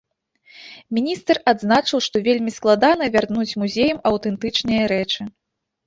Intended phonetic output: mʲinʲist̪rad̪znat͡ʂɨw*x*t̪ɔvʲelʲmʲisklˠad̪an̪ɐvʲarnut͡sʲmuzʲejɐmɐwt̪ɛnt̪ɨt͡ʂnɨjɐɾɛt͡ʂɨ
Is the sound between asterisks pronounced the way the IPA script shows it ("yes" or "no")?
no